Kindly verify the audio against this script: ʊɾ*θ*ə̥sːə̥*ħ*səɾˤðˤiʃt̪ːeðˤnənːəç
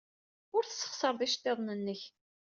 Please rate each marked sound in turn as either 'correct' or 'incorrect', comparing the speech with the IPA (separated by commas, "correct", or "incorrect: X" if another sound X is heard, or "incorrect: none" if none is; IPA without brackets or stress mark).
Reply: correct, incorrect: χ